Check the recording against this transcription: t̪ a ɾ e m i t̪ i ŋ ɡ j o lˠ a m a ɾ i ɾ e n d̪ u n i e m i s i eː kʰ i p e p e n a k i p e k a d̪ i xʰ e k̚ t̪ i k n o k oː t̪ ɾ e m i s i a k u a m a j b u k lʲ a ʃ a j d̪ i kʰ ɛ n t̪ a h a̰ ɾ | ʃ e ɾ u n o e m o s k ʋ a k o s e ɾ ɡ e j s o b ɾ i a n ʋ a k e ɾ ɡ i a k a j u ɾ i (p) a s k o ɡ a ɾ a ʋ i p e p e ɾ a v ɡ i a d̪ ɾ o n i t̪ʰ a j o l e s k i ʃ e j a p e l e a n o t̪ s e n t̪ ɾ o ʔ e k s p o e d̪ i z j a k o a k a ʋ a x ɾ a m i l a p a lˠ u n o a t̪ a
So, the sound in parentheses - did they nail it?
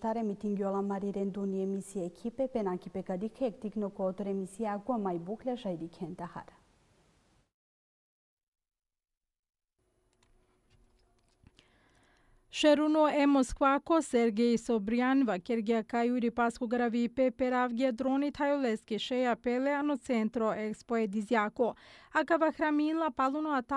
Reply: yes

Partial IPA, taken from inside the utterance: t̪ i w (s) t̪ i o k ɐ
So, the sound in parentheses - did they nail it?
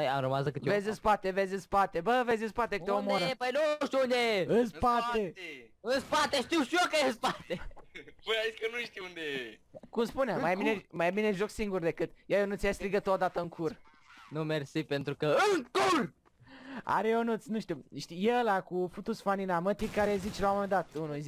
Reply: no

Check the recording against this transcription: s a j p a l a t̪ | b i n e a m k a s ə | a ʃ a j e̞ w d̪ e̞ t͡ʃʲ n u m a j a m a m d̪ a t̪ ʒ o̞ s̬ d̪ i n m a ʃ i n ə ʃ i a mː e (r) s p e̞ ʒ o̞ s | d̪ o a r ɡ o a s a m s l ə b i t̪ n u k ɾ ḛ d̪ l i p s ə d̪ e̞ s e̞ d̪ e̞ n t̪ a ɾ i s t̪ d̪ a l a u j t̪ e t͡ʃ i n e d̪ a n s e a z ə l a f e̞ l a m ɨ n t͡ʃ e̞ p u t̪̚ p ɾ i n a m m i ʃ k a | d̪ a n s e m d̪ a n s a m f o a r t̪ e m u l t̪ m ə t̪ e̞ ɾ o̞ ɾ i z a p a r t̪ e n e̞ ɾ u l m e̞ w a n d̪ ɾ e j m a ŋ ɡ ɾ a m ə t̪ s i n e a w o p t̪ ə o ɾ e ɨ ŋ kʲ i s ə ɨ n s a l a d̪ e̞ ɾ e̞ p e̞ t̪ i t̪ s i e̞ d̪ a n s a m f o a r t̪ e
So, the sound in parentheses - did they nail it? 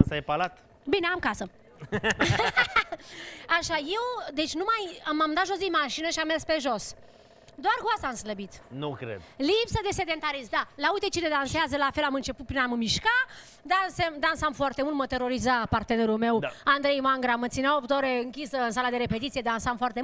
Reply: yes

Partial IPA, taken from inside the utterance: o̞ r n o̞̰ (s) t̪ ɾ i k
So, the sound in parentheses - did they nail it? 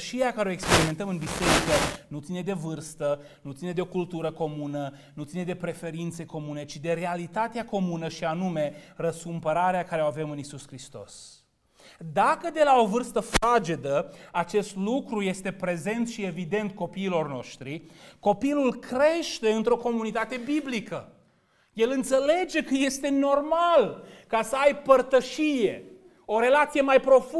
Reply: no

